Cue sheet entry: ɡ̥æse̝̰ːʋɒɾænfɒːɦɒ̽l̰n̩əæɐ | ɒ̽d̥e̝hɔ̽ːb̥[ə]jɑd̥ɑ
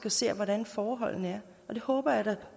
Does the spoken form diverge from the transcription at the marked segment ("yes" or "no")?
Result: yes